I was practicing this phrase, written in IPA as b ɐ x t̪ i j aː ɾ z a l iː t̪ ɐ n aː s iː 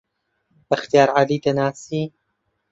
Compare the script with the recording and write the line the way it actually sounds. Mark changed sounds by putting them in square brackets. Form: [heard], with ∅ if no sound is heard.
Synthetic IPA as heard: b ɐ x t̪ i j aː ɾ [ʕ] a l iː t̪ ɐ n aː s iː